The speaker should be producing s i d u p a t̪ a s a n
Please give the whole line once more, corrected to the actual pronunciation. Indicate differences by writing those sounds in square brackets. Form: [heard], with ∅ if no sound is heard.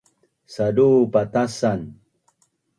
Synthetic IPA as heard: s [a] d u p a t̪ a s a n